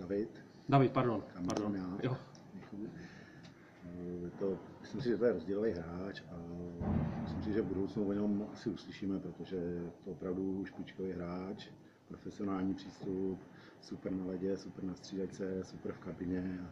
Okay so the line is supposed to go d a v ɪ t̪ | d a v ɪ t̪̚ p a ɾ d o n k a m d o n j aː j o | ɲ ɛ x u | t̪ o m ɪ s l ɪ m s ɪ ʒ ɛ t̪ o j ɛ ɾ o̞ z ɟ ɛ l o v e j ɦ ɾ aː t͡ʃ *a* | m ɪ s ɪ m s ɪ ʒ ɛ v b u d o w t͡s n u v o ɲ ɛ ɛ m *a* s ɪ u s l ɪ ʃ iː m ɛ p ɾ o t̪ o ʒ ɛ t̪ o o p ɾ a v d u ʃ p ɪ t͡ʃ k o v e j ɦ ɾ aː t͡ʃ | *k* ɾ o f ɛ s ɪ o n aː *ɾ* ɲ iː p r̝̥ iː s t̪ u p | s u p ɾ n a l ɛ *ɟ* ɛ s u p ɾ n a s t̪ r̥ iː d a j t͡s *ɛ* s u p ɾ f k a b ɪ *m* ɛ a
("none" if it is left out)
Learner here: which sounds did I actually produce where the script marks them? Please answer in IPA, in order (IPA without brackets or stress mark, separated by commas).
a, a, p, l, ɟ, ɛ, ɲ